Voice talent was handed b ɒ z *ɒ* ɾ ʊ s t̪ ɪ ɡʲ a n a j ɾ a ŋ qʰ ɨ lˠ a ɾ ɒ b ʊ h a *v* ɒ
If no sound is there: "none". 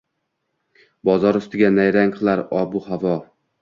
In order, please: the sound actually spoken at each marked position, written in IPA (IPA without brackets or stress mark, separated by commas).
ɒ, v